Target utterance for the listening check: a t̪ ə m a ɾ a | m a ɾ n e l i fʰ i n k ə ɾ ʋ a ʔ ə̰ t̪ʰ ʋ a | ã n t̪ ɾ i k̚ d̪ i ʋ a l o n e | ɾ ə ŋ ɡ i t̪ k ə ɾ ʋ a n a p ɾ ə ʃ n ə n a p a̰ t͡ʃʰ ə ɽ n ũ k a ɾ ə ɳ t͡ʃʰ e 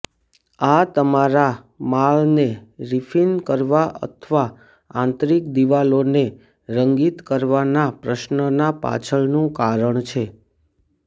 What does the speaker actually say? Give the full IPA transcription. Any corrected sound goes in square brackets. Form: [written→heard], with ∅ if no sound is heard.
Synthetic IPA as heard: a t̪ ə m a ɾ a | m a [ɾ→ɭ] n e [l→ɾ] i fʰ i n k ə ɾ ʋ a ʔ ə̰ t̪ʰ ʋ a | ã n t̪ ɾ i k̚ d̪ i ʋ a l o n e | ɾ ə ŋ ɡ i t̪ k ə ɾ ʋ a n a p ɾ ə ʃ n ə n a p a̰ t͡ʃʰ ə [ɽ→ɭ] n ũ k a ɾ ə ɳ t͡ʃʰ e